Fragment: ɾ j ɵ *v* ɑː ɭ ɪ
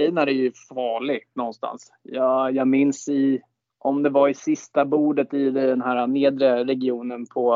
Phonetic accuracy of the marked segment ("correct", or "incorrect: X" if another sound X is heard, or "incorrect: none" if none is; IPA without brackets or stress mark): incorrect: f